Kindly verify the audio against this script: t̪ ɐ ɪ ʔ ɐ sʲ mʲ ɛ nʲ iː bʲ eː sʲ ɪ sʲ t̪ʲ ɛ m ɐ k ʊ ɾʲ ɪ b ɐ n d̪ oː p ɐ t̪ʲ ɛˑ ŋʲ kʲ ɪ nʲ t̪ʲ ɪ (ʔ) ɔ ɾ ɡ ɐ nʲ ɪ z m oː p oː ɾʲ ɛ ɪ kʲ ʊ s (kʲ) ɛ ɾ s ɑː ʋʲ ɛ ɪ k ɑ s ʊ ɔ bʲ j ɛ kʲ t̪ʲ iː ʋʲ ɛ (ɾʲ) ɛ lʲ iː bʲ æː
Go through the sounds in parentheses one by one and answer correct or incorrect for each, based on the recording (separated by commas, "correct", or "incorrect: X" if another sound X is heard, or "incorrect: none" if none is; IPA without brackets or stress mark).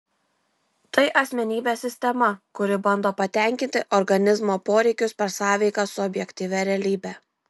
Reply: correct, incorrect: pʲ, correct